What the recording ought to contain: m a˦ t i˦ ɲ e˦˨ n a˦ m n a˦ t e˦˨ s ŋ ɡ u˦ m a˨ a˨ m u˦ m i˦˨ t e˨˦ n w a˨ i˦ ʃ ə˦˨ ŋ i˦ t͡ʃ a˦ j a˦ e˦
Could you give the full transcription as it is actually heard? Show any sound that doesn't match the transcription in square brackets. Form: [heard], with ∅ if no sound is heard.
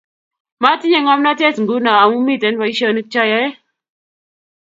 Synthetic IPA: m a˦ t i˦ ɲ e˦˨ [ŋ] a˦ m n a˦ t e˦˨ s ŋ ɡ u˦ [n] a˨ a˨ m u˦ m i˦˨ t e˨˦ n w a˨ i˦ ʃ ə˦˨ [n] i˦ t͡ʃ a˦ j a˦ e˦